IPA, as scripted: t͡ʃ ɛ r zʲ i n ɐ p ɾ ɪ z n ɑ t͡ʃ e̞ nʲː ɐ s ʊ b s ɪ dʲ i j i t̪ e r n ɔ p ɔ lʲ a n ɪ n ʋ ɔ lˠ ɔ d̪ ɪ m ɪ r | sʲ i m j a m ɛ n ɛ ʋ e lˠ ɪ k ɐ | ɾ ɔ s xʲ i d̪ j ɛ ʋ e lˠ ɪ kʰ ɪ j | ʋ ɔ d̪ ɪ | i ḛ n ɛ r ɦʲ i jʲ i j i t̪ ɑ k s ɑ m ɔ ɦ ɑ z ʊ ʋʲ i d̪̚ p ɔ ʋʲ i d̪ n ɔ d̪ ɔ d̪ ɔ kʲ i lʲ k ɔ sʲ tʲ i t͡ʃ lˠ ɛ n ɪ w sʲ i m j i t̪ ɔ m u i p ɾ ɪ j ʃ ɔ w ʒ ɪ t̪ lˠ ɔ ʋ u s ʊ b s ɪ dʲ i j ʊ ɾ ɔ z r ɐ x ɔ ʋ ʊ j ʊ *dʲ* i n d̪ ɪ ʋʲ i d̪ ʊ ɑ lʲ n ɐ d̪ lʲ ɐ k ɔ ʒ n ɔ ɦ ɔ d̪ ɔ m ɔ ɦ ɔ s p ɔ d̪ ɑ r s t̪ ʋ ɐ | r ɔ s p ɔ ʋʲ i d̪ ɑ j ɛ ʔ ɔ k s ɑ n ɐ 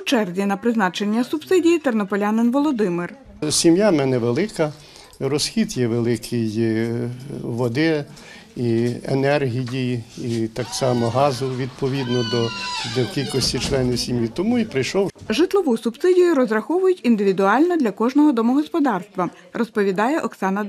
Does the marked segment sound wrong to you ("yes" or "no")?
yes